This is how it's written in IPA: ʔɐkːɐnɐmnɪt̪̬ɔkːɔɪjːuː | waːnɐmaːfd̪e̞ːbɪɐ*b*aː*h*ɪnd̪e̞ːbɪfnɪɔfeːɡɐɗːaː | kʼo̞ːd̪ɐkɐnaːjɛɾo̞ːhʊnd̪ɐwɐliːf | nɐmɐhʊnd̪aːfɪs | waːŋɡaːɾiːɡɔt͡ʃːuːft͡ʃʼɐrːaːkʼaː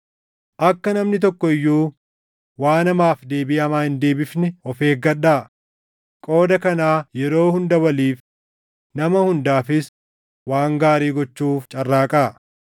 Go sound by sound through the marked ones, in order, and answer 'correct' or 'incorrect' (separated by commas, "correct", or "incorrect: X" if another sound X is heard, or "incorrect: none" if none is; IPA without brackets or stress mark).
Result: incorrect: m, correct